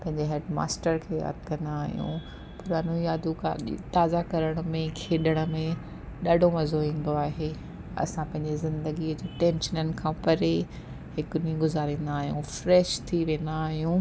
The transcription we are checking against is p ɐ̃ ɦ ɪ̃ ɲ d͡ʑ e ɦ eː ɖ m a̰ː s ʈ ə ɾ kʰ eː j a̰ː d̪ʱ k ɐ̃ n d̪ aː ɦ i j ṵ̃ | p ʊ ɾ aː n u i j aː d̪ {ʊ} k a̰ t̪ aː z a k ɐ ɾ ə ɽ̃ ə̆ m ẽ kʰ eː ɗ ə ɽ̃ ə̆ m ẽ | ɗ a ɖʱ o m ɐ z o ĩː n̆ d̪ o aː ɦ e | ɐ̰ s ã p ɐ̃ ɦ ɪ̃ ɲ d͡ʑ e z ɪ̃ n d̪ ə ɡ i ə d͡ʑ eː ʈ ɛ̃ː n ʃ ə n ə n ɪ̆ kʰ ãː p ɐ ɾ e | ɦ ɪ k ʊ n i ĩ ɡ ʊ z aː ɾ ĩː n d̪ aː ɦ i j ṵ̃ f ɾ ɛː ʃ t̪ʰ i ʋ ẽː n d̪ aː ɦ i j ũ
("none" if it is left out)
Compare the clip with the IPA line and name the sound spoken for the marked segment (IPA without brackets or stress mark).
u